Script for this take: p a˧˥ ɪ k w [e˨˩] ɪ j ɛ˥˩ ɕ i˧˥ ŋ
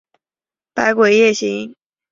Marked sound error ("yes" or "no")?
no